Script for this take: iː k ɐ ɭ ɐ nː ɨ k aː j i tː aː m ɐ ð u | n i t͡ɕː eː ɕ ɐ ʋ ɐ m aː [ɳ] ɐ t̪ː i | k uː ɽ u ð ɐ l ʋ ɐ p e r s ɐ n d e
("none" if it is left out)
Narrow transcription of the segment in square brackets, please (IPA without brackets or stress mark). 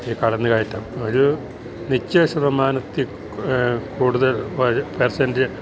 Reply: n